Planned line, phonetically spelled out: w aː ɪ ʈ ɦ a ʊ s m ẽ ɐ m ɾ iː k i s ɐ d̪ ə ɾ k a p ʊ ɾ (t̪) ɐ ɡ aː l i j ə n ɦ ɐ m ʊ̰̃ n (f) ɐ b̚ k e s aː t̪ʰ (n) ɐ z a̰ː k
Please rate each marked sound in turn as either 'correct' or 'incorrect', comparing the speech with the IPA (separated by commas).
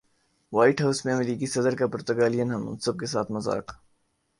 correct, incorrect, incorrect